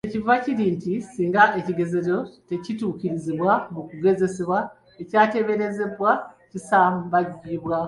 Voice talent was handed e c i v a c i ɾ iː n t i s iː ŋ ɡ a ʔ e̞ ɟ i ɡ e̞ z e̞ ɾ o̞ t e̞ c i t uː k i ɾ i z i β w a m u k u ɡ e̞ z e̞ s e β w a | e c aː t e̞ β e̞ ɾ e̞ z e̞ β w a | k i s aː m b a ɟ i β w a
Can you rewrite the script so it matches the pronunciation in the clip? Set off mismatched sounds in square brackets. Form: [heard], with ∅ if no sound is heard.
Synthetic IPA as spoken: e c i v a c i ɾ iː n t i s iː ŋ ɡ a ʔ e̞ [c] i ɡ e̞ z e̞ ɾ o̞ t e̞ c i t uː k i ɾ i z i β w a m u k u ɡ e̞ z e̞ s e β w a | e c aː t e̞ β e̞ ɾ e̞ z e̞ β w a | [c] i s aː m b a ɟ i β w a